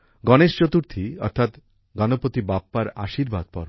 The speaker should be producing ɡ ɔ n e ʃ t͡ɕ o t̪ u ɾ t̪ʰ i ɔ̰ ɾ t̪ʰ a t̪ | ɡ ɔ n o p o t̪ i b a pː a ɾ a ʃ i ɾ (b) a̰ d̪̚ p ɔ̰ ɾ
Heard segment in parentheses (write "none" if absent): b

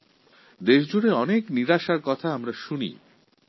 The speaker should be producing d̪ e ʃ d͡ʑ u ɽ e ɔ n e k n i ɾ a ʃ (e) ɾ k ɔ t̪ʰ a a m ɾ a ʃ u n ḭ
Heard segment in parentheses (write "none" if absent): a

